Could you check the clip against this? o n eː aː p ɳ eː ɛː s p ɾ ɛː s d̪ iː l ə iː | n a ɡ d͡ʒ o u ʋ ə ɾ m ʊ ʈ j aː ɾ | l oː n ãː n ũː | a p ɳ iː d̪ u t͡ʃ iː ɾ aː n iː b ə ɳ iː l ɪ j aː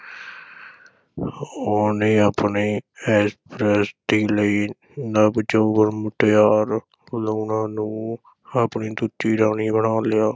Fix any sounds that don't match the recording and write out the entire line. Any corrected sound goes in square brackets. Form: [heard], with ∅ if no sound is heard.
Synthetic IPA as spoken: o n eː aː p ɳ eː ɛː s p ɾ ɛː s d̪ iː l ə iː | n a [b] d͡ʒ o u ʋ ə ɾ m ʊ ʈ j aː ɾ | l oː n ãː n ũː | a p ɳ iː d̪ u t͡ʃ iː ɾ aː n iː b ə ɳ [aː] l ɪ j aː